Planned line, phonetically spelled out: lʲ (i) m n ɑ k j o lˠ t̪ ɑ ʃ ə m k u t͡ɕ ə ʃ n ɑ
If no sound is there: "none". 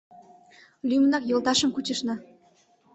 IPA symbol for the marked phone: y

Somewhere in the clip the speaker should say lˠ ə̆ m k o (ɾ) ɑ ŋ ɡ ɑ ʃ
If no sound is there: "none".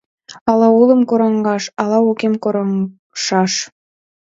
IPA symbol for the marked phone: ɾ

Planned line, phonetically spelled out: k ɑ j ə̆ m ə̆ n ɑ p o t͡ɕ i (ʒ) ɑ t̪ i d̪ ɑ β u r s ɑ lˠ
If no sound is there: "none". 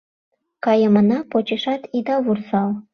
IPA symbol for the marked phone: ʃ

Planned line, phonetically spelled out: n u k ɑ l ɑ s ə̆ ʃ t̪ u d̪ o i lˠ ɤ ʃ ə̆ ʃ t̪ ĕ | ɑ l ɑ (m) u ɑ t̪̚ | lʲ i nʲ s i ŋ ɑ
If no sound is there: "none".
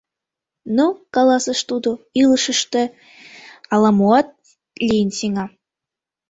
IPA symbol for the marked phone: m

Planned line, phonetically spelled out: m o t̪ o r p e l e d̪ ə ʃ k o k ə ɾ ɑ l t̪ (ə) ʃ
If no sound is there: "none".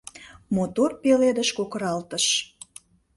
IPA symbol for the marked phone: ə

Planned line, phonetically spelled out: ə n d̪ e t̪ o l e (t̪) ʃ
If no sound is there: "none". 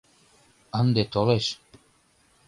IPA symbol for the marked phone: none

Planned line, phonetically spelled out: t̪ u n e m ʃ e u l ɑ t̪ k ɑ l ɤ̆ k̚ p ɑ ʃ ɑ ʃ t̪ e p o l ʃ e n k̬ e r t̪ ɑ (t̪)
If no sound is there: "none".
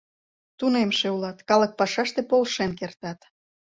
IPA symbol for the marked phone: t̪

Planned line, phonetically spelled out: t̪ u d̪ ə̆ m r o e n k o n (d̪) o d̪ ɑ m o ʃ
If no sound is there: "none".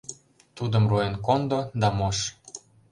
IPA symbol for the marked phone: d̪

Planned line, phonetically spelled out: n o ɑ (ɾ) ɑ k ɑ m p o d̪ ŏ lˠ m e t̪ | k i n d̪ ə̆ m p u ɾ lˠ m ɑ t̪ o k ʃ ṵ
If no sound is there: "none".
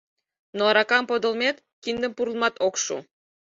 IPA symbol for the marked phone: ɾ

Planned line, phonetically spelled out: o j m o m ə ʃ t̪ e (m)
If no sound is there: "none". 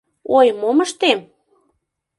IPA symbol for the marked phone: m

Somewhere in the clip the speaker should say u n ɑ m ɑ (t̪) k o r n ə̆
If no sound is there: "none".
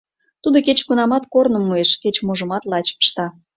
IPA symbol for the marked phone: t̪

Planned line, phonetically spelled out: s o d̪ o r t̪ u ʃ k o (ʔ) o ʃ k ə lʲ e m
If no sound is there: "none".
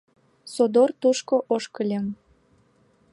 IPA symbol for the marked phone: ʔ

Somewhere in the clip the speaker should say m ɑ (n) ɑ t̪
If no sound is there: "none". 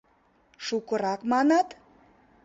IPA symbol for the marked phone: n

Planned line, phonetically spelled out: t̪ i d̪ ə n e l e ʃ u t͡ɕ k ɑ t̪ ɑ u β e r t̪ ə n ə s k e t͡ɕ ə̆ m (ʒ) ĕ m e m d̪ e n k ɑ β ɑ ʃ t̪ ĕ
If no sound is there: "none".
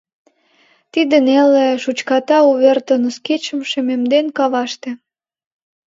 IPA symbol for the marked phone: ʃ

